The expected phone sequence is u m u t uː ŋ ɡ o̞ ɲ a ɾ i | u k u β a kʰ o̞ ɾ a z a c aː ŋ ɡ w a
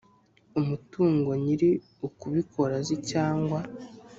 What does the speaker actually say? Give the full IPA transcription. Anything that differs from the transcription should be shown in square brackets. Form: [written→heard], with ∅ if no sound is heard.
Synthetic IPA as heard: u m u t uː ŋ ɡ o̞ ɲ [a→i] ɾ i | u k u β [a→i] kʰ o̞ ɾ a z [a→i] c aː ŋ ɡ w a

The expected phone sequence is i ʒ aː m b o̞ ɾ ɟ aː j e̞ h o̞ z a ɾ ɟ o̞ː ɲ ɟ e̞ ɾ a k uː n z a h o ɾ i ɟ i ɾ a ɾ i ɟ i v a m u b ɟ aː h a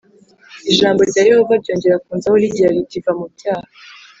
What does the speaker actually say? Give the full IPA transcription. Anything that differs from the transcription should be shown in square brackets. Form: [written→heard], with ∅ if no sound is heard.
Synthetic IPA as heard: i ʒ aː m b o̞ ɾ ɟ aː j e̞ h o̞ [z→v] a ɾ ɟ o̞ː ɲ ɟ e̞ ɾ a k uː n z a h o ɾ i ɟ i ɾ a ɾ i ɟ i v a m u b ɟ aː h a

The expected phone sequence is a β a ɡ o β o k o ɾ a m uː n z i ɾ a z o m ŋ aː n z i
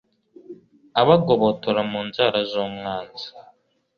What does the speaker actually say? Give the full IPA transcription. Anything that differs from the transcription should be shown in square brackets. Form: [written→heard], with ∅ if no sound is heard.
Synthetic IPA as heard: a β a ɡ o β o [k→t] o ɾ a m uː n z [i→a] ɾ a z o m ŋ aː n z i

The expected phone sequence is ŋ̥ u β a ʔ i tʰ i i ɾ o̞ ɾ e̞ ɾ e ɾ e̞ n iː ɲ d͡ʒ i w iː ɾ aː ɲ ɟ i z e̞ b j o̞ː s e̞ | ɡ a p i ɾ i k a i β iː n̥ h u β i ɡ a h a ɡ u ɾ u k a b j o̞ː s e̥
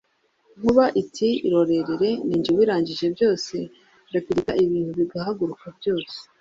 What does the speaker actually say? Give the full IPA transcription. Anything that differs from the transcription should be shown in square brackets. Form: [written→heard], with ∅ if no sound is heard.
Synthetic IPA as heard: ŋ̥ u β a ʔ i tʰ i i ɾ o̞ ɾ e̞ ɾ e ɾ e̞ n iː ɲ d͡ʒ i w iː ɾ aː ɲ ɟ i [z→ʒ] e̞ b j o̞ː s e̞ | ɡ a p i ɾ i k a i β iː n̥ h u β i ɡ a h a ɡ u ɾ u k a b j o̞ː s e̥

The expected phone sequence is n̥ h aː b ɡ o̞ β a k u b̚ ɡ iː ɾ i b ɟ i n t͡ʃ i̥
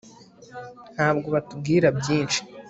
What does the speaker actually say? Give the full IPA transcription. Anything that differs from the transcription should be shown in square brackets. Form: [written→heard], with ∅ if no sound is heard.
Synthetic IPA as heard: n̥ h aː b ɡ o̞ β a [k→t] u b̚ ɡ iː ɾ [i→a] b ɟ [i→iː] n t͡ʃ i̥

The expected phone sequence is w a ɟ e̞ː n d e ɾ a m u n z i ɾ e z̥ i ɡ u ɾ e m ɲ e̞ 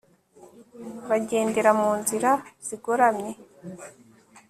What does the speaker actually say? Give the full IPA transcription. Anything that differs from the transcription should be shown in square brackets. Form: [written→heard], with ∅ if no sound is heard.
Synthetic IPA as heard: [w→β] a ɟ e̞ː n d e ɾ a m [u→uː] n z i ɾ [e→a] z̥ i ɡ [u→o] ɾ [e→a] m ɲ e̞

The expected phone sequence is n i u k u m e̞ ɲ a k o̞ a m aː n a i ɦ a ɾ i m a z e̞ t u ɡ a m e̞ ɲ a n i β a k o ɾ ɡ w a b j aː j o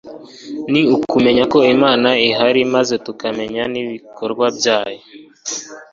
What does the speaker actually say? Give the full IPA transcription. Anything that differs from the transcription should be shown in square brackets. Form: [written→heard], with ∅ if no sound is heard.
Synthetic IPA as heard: n i u k u m e̞ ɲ a k o̞ [a→i] m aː n a i ɦ a ɾ i m a z e̞ t u [ɡ→k] a m e̞ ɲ a n i β [a→i] k o ɾ ɡ w a b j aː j o

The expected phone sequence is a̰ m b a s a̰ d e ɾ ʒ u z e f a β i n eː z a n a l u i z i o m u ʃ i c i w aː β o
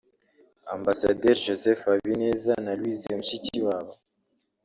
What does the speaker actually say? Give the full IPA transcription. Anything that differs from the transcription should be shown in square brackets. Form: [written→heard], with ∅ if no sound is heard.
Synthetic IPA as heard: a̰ m b a s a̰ d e ɾ ʒ [u→o] z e f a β i n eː z a n a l [u→w] i z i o m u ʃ i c i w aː β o

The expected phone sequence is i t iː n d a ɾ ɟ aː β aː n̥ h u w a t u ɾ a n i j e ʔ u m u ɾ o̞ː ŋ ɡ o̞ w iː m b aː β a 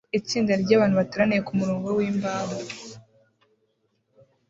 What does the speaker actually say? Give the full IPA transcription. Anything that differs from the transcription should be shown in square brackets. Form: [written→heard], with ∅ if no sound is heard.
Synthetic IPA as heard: i [t→t͡s] iː n d a ɾ ɟ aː β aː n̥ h u [w→β] a t u ɾ a n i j e [ʔ→k] u m u ɾ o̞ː ŋ ɡ o̞ w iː m b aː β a

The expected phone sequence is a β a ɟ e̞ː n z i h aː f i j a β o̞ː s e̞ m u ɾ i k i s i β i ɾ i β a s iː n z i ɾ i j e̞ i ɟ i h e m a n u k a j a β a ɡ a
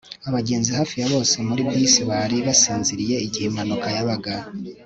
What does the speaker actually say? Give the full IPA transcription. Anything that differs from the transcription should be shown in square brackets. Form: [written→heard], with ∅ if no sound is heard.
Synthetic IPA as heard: a β a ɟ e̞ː n z i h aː f i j a β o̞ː s e̞ m u ɾ i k i s i β [i→a] ɾ i β a s iː n z i ɾ i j e̞ i ɟ i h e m a n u k a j a β a ɡ a

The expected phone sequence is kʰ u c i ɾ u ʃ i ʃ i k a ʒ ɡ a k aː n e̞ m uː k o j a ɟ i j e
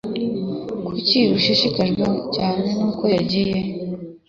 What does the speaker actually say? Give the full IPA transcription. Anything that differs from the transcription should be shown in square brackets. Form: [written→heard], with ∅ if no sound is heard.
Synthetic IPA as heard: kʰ u c i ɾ u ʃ i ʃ i k a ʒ ɡ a [k→c] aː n e̞ [m→n] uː k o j a ɟ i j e

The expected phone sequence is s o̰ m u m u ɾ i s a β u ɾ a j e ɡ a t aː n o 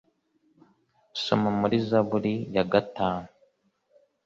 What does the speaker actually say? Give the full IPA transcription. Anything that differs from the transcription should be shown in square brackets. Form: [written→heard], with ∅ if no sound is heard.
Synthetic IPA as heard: s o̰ m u m u ɾ i [s→z] a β u ɾ [a→i] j [e→a] ɡ a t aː n [o→u]

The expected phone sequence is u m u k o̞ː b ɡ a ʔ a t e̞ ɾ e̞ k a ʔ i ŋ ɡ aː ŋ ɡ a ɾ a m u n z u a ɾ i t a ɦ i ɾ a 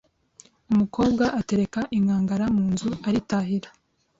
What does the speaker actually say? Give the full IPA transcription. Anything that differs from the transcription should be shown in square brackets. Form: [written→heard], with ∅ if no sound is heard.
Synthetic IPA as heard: u m u k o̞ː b ɡ a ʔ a t e̞ ɾ e̞ k a ʔ i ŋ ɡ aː ŋ ɡ a ɾ a m [u→uː] n z u a ɾ i t a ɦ i ɾ a

